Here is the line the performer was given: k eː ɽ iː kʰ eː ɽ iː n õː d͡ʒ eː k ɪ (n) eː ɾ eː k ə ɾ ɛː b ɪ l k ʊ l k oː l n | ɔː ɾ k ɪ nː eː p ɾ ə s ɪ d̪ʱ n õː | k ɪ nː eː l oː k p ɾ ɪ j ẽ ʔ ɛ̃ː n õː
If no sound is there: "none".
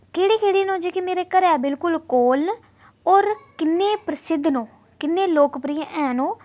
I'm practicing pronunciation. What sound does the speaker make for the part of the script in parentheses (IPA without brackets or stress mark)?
m